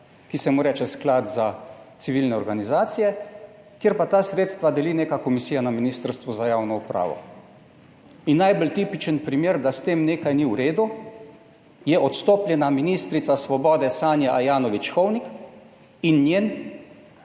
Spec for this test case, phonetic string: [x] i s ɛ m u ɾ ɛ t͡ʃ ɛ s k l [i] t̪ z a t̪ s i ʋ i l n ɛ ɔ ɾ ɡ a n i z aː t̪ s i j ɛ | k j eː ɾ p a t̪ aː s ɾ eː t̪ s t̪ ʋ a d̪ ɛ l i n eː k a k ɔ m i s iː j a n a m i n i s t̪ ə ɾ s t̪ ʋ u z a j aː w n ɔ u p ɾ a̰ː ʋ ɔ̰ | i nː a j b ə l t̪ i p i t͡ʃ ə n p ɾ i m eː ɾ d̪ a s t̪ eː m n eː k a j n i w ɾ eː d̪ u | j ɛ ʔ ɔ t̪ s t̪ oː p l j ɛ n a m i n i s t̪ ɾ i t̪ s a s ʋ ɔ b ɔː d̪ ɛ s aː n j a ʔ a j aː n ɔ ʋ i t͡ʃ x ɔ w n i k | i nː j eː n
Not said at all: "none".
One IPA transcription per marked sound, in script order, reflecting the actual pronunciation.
k, a

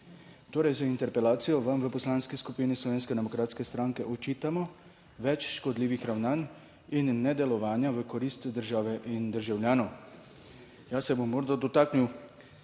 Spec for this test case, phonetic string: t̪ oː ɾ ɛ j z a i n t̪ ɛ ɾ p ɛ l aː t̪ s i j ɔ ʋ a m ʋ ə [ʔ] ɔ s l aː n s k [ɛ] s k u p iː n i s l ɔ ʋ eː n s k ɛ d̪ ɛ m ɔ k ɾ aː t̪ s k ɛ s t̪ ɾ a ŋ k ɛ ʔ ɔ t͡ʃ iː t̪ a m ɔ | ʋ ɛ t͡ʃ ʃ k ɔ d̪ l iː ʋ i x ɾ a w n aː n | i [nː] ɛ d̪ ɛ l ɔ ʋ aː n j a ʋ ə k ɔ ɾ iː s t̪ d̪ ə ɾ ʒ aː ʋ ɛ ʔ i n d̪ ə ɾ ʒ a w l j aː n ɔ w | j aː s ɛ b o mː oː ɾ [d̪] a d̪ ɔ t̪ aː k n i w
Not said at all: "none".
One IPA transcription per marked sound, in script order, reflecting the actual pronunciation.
p, i, nː, d̪

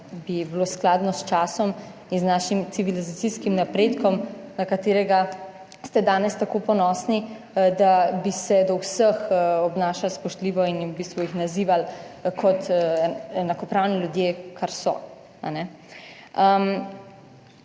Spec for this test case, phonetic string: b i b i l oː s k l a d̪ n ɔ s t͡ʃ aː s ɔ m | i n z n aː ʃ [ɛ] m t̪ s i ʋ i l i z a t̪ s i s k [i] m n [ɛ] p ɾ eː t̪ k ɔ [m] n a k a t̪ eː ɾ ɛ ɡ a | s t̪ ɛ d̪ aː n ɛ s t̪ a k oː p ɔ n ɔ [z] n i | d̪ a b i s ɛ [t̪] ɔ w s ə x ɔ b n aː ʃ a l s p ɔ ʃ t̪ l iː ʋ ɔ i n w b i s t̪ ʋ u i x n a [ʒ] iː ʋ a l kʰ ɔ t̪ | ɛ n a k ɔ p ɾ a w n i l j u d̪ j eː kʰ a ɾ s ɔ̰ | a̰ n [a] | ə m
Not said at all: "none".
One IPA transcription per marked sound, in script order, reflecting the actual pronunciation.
i, i, a, m, s, d̪, z, ɛ

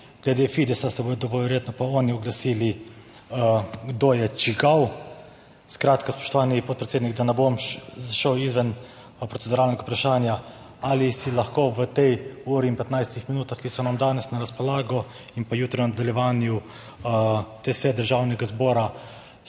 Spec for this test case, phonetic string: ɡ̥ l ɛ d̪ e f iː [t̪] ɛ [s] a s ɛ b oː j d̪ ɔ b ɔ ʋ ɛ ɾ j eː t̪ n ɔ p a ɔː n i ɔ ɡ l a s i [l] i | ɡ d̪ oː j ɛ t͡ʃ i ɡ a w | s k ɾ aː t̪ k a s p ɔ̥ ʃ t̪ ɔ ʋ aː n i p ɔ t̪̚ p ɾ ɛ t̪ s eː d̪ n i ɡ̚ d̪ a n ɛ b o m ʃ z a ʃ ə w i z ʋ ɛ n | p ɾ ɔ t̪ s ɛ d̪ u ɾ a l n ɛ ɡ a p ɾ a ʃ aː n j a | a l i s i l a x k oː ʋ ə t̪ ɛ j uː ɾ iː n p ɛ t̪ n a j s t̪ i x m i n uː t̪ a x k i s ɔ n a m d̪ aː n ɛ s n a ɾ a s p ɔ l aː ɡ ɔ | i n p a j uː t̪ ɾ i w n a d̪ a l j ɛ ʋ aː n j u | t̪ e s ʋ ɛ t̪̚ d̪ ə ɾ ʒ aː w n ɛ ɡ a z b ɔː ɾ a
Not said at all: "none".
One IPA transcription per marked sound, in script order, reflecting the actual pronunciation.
d̪, s, l

